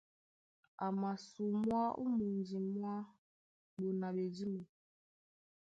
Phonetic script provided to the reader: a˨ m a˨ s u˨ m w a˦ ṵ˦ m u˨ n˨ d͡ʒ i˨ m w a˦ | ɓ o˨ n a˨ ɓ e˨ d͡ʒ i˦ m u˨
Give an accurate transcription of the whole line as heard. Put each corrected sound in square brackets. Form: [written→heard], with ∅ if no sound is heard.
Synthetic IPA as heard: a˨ m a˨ s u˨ m w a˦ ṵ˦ m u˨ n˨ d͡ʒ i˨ m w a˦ | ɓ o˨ n a˨ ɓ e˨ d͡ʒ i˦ m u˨

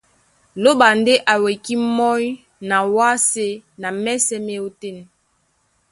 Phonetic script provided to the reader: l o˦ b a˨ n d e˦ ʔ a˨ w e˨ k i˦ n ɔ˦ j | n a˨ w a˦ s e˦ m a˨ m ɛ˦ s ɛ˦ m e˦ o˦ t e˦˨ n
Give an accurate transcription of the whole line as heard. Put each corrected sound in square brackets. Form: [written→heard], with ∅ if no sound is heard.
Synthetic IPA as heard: l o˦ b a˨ n d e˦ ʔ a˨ w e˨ k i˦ [n→m] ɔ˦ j | n a˨ w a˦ s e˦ [m→n] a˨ m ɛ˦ s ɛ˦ m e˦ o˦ t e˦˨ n

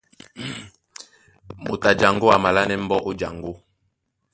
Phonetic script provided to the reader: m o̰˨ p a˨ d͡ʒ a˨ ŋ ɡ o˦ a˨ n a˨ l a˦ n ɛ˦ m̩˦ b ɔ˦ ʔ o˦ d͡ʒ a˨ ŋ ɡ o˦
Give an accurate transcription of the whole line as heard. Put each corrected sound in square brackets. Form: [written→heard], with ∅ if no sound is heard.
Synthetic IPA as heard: m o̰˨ [p→t] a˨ d͡ʒ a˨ ŋ ɡ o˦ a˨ [n→m] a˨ l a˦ n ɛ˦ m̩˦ b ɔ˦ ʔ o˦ d͡ʒ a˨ ŋ ɡ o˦

